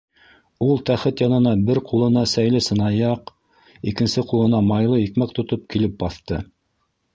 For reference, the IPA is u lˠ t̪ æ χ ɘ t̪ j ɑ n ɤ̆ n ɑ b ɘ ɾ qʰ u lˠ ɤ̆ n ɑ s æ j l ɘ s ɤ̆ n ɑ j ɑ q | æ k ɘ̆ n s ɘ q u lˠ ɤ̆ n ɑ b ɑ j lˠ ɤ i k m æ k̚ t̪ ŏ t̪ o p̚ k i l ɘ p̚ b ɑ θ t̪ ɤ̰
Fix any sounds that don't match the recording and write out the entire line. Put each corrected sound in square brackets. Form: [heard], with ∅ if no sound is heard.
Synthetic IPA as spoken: u lˠ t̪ æ χ ɘ t̪ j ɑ n ɤ̆ n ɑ b ɘ ɾ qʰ u lˠ ɤ̆ n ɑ s æ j l ɘ s ɤ̆ n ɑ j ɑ q | [i] k ɘ̆ n s ɘ q u lˠ ɤ̆ n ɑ [m] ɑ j lˠ ɤ i k m æ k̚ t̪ ŏ t̪ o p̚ k i l ɘ p̚ b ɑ θ t̪ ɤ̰